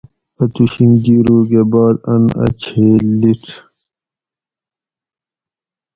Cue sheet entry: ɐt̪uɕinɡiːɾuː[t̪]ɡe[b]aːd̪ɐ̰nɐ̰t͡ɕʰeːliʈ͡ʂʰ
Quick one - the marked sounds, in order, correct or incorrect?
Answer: incorrect: none, correct

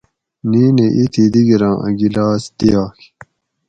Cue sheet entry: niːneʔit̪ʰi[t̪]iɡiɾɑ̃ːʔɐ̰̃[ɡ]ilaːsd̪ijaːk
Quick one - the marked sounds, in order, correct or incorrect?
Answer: incorrect: d̪, correct

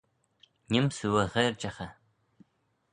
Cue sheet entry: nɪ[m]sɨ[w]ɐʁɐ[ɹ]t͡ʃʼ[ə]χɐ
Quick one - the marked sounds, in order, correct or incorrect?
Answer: correct, correct, incorrect: r, incorrect: ɐ

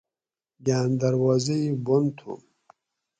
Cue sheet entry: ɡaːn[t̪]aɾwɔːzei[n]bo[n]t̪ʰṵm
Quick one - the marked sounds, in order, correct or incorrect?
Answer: incorrect: d̪, incorrect: none, correct

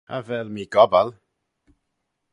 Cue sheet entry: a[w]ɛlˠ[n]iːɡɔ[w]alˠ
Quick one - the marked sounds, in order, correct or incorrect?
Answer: incorrect: v, incorrect: m, incorrect: b

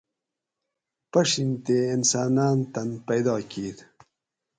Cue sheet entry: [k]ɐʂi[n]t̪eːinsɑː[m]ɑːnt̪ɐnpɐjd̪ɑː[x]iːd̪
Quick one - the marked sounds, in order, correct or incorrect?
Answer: incorrect: p, correct, incorrect: n, incorrect: k

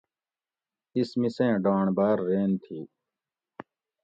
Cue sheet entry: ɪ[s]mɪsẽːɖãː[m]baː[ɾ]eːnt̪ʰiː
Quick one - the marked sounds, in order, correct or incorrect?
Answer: correct, incorrect: ɳ, incorrect: ɾː

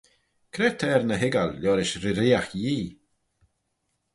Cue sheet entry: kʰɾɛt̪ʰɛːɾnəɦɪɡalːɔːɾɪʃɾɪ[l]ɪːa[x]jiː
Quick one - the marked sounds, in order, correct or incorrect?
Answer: incorrect: ɾ, correct

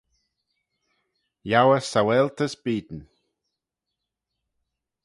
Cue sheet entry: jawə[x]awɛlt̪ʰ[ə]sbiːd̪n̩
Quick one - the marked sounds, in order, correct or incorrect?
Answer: incorrect: s, correct

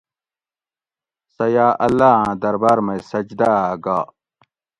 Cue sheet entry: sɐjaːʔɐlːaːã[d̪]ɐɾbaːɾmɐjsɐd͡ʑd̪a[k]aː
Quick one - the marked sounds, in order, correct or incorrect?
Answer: correct, incorrect: ɡ

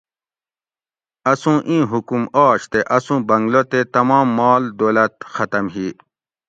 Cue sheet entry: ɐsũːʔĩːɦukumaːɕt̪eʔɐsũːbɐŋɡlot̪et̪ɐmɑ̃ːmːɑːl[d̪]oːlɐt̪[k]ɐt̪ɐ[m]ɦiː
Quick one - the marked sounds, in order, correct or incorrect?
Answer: correct, incorrect: x, correct

